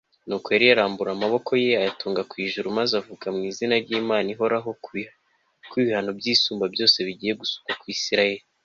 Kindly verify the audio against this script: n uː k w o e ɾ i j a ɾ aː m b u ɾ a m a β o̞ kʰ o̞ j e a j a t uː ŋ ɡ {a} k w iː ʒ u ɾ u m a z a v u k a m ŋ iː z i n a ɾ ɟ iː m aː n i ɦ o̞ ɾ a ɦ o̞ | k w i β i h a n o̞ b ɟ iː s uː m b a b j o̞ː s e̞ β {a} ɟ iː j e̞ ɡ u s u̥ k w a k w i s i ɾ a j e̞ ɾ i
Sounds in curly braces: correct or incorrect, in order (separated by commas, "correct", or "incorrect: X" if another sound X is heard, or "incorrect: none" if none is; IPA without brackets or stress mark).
correct, incorrect: i